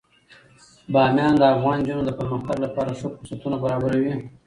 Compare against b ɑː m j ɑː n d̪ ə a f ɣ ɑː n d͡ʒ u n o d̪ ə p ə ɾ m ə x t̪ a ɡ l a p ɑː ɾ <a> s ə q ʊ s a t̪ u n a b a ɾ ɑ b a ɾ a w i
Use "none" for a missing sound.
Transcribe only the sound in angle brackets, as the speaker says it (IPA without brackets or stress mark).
a